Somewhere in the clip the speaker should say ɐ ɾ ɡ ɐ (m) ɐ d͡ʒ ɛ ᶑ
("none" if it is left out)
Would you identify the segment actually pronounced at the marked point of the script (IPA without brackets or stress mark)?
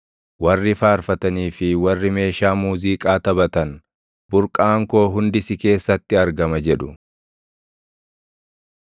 m